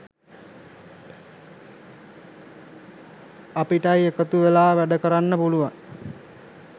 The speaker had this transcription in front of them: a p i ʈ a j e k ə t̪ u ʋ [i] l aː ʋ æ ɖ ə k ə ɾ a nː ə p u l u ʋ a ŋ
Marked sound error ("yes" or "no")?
yes